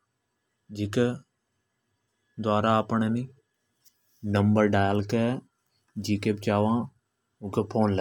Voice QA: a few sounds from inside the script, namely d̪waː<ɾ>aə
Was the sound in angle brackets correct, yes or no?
yes